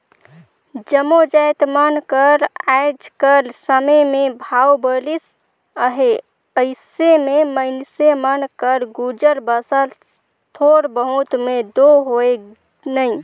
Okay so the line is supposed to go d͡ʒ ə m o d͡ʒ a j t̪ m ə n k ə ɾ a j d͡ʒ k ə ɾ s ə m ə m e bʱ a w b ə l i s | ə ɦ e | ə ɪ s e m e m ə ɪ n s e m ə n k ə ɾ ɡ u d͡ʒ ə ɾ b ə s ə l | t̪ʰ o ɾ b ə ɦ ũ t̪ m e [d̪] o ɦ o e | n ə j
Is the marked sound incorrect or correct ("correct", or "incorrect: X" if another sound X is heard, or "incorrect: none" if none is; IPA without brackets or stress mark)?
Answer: correct